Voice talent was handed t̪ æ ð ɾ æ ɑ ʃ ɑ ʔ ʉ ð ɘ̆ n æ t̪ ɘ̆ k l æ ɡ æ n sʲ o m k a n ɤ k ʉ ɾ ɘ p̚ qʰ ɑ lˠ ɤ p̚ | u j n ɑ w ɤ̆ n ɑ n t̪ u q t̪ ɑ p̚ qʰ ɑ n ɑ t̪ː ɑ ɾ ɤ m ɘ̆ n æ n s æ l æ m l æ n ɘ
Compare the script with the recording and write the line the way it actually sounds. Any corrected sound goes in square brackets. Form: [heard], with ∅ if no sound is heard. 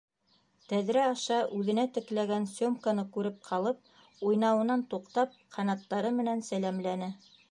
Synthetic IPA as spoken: t̪ æ ð ɾ æ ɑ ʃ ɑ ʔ ʉ ð ɘ̆ n æ t̪ ɘ̆ k l æ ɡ æ n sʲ o m k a n ɤ k ʉ ɾ ɘ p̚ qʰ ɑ lˠ ɤ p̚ | u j n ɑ w ɤ̆ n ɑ n t̪ u q t̪ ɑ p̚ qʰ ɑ n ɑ t̪ː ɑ ɾ ɤ m ɘ̆ n æ n s æ l æ m l æ n ɘ